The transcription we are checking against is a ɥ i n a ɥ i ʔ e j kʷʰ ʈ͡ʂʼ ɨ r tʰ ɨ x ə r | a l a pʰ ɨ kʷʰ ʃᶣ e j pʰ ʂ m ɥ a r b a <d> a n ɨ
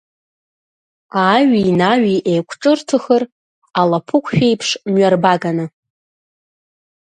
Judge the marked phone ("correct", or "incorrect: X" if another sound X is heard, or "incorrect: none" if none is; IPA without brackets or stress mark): incorrect: ɡ